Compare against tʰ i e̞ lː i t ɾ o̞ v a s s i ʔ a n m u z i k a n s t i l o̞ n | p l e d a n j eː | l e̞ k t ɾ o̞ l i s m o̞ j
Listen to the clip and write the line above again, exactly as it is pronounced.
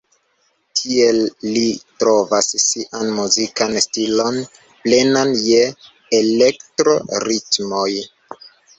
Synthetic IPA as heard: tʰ i e̞ lː i t ɾ o̞ v a s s i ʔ a n m u z i k a n s t i l o̞ n | p l e n a n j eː | l e̞ k t ɾ o̞ ɾ i t m o̞ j

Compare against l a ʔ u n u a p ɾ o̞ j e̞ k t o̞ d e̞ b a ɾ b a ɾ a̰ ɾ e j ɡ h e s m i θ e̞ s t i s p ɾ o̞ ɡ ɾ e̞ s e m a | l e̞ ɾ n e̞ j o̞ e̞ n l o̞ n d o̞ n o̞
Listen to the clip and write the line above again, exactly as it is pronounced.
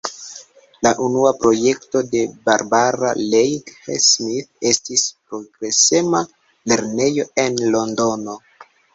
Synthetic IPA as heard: l a ʔ u n u a p ɾ o̞ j e̞ k t o̞ d e̞ b a ɾ b a ɾ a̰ l e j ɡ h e s m i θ e̞ s t i s p ɾ o̞ ɡ ɾ e̞ s e m a | l e̞ ɾ n e̞ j o̞ e̞ n l o̞ n d o̞ n o̞

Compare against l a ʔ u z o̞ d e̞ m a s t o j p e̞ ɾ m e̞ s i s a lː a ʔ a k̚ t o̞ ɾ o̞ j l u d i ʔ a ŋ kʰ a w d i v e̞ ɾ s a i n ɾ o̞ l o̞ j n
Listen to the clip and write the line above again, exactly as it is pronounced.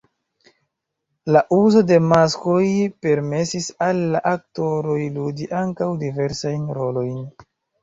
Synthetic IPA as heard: l a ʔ u z o̞ d e̞ m a s k o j p e̞ ɾ m e̞ s i s a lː a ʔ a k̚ t o̞ ɾ o̞ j l u d i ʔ a ŋ k a w d i v e̞ ɾ s a j n ɾ o̞ l o̞ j n

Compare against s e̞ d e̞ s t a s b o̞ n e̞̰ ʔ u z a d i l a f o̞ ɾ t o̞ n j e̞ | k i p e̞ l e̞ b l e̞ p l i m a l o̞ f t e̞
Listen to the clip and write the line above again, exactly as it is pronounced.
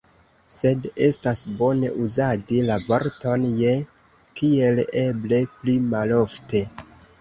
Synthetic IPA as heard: s e̞ d e̞ s t a s b o̞ n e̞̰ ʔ u z a d i l a v o̞ ɾ t o̞ n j e̞ | k i e̞ l e̞ b l e̞ p l i m a l o̞ f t e̞

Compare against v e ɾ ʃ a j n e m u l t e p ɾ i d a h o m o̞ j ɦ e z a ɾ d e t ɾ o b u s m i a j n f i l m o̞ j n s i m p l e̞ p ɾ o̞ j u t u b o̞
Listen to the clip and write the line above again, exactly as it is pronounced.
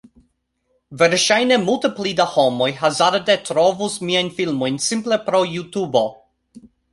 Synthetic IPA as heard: v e ɾ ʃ a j n e m u l t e p l i d a h o m o̞ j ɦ a z a ɾ d e t ɾ o v u s m i a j n f i l m o̞ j n s i m p l e̞ p ɾ o̞ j u t u b o̞

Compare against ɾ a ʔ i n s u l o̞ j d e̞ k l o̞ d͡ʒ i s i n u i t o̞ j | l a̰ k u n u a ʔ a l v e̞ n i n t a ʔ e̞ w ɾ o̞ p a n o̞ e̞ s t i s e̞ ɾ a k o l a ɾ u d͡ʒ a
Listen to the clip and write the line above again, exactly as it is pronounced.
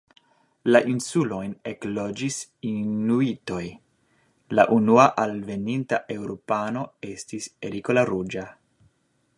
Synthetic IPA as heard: l a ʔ i n s u l o̞ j n e̞ k l o̞ d͡ʒ i s i n u i t o̞ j | l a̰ ʔ u n u a ʔ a l v e̞ n i n t a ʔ e̞ w ɾ o̞ p a n o̞ e̞ s t i s e̞ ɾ i k o l a ɾ u d͡ʒ a

